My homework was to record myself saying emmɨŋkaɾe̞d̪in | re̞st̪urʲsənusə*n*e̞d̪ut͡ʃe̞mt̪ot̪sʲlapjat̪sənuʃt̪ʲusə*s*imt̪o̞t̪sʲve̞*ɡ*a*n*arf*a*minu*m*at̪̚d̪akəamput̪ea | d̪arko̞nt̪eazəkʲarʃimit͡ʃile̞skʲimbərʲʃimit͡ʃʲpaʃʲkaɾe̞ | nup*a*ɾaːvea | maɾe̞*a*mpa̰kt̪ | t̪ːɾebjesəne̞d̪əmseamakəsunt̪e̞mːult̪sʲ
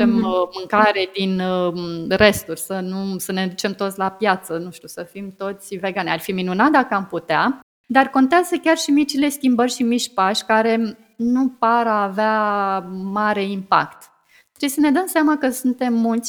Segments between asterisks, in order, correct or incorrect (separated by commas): correct, incorrect, correct, correct, incorrect, incorrect, correct, incorrect